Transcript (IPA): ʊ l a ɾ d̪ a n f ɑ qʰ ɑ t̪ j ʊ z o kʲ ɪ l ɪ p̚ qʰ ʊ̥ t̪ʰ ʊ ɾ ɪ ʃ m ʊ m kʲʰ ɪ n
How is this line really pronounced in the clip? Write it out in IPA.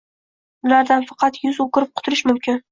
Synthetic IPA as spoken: ʊ l a ɾ d̪ a n f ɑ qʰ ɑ t̪ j ʊ z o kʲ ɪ ɾ ɪ p̚ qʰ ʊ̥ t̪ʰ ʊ ɾ ɪ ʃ m ʊ m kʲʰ ɪ n